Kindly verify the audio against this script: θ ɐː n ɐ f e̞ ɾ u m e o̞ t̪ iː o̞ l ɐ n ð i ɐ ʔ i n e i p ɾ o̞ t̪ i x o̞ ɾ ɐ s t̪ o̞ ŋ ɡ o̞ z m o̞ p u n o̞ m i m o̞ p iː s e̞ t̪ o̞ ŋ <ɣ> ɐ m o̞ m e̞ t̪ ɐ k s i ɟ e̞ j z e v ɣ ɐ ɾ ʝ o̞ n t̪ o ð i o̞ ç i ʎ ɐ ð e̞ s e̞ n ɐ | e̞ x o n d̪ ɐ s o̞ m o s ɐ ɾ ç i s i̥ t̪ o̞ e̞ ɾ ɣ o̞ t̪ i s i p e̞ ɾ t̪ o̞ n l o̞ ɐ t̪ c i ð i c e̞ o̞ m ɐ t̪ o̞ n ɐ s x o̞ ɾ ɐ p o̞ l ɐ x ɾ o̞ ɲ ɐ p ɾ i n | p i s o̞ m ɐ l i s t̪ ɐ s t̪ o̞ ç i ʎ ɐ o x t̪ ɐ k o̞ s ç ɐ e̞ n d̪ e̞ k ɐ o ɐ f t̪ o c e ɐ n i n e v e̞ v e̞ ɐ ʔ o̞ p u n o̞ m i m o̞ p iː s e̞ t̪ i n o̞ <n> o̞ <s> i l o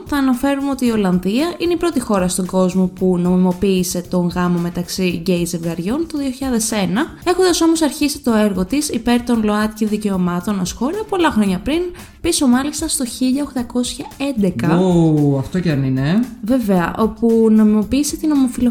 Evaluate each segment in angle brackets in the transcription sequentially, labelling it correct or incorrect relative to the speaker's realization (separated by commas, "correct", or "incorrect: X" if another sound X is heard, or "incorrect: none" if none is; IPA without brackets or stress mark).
correct, incorrect: m, incorrect: f